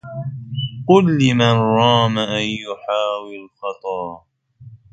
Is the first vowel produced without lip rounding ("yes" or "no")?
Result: no